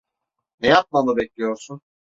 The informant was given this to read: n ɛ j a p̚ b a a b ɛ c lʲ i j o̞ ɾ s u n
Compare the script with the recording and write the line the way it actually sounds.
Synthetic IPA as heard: n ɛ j a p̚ m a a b ɛ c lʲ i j o̞ ɾ s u n